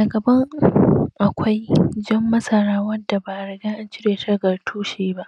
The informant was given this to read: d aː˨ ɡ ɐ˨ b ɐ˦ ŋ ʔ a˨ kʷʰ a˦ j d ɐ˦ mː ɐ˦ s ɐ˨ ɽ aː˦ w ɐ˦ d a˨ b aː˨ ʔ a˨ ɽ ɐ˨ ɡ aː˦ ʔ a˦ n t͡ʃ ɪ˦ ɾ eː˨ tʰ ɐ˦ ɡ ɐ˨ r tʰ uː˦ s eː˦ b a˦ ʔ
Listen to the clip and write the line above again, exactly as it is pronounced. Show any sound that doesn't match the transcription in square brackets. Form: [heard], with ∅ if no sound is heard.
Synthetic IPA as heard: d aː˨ ɡ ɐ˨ b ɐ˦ ŋ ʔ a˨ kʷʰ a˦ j [d͡ʒ] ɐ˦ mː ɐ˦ s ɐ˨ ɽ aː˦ w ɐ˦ d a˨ b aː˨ ʔ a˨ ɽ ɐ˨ ɡ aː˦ ʔ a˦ n t͡ʃ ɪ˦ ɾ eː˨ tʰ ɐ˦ ɡ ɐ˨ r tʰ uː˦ [ʃ] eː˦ b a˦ ʔ